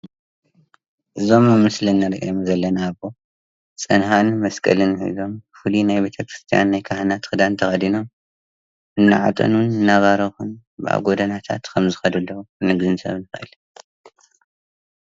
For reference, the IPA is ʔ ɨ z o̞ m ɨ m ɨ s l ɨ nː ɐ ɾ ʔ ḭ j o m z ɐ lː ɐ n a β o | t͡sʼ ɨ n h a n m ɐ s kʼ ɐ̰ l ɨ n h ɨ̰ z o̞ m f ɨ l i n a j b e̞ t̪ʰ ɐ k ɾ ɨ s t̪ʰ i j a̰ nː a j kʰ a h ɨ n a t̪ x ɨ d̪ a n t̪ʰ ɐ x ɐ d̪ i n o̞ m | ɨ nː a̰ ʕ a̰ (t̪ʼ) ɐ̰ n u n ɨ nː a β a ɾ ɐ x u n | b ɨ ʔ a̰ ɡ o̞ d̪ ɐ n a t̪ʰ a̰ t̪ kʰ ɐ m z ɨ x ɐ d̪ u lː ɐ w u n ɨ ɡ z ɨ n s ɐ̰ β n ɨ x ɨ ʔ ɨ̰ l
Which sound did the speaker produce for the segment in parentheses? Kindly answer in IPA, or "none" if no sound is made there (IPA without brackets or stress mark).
t̪ʼ